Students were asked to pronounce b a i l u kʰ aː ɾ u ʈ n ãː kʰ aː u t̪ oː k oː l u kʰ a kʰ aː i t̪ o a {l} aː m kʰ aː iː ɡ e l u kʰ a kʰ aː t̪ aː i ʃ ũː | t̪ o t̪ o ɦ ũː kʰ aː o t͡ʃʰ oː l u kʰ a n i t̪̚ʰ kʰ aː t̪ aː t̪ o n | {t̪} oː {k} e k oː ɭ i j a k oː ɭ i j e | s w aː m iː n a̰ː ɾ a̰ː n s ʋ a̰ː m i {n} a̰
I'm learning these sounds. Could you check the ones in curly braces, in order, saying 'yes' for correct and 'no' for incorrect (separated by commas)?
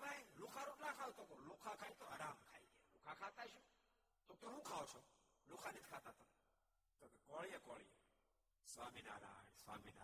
no, yes, yes, yes